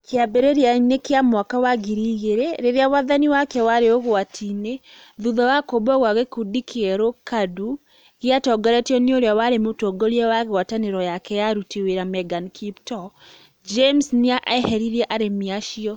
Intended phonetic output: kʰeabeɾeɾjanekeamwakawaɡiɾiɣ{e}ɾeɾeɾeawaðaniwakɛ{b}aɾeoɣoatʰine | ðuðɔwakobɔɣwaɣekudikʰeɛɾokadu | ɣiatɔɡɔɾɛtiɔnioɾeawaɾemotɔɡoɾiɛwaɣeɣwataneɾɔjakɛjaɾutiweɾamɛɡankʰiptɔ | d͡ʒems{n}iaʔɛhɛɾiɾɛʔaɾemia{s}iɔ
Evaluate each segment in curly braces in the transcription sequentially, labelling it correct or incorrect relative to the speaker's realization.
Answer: correct, incorrect: w, correct, incorrect: ʃ

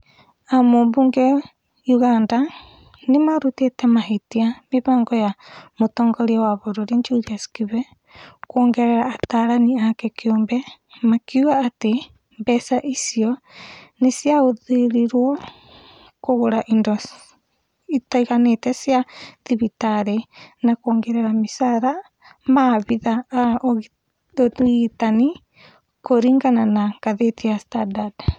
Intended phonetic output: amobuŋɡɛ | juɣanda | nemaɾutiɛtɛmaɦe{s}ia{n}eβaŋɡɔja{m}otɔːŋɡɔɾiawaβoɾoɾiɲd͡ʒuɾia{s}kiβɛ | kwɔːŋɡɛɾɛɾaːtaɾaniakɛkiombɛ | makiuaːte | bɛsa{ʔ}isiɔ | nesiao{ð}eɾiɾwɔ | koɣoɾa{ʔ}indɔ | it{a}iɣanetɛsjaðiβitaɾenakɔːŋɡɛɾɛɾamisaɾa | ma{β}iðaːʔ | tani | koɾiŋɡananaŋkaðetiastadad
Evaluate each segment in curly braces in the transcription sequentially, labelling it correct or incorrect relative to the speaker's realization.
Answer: incorrect: t, incorrect: m, correct, correct, correct, correct, correct, correct, correct

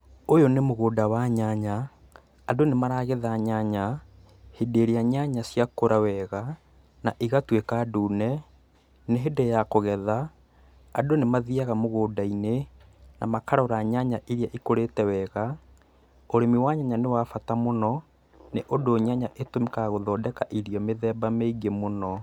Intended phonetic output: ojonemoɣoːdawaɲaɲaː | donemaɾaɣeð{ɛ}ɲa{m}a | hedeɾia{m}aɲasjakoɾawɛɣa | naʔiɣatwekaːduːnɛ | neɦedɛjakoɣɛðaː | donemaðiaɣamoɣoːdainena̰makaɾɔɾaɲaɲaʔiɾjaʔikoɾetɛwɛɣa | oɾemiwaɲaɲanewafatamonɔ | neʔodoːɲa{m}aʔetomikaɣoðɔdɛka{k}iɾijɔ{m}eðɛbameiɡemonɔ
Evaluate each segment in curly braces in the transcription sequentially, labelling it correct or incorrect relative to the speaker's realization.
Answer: incorrect: a, incorrect: ɲ, incorrect: ɲ, incorrect: ɲ, incorrect: ʔ, correct

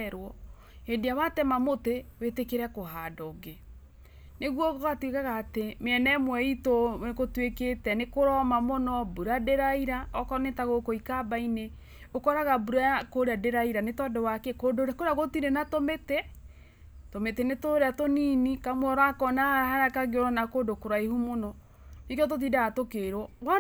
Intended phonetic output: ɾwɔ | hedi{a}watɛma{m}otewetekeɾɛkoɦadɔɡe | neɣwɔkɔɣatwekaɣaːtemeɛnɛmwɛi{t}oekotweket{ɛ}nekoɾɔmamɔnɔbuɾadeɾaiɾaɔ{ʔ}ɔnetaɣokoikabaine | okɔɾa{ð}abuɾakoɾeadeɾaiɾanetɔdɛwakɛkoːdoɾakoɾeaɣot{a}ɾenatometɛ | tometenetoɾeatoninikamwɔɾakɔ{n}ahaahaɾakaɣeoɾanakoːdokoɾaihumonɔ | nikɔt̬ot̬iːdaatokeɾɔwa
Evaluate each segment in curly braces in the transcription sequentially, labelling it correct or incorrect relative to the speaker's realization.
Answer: correct, correct, correct, correct, incorrect: k, incorrect: ɣ, incorrect: i, correct

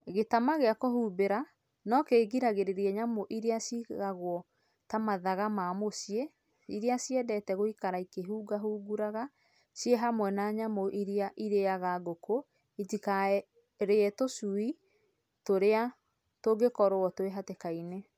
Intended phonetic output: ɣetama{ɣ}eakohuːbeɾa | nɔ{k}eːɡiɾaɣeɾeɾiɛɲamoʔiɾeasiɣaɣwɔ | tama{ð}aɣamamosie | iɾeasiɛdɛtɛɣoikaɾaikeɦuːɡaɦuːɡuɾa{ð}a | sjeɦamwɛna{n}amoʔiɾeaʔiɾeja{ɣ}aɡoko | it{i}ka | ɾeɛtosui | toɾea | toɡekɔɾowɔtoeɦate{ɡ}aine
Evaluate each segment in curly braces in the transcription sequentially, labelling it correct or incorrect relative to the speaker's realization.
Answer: correct, correct, correct, incorrect: ɣ, incorrect: ɲ, correct, correct, incorrect: k

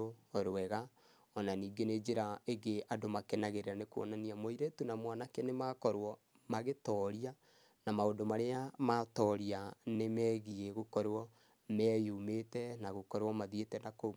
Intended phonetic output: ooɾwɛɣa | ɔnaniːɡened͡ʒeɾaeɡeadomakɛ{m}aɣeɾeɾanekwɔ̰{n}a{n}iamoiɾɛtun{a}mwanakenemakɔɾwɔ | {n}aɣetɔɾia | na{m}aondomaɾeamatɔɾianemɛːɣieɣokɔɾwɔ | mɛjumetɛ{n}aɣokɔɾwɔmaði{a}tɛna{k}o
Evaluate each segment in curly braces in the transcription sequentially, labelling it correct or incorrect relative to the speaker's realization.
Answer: incorrect: n, correct, correct, correct, incorrect: m, correct, correct, incorrect: e, correct

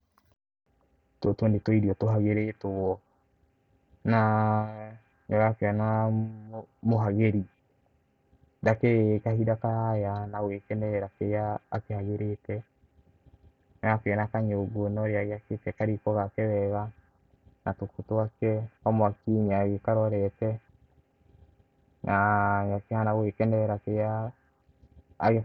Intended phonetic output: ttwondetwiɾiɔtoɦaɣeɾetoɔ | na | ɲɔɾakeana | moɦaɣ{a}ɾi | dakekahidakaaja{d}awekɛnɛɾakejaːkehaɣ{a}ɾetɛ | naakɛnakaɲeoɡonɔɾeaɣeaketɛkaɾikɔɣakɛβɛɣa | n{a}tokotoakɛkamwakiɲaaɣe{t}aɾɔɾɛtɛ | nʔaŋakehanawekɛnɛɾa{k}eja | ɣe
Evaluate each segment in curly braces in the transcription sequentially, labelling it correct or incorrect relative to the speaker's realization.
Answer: incorrect: e, incorrect: n, incorrect: e, correct, incorrect: k, correct

